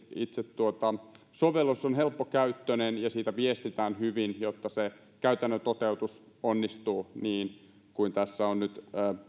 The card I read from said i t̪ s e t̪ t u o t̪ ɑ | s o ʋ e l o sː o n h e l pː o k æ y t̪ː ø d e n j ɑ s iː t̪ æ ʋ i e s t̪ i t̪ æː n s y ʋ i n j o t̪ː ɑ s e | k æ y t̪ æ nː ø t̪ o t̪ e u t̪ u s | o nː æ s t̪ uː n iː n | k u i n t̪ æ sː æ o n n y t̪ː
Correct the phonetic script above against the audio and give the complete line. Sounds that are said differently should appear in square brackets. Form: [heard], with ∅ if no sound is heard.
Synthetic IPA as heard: i t̪ s e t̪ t u o t̪ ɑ | s o ʋ e l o sː o n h e l pː o k æ y t̪ː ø [n] e n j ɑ s iː t̪ æ ʋ i e s t̪ i t̪ æː n [h] y ʋ i n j o t̪ː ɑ s e | k æ y t̪ æ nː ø t̪ o t̪ e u t̪ u s | o nː [i] s t̪ uː n iː n | k u i n t̪ æ sː æ o n n y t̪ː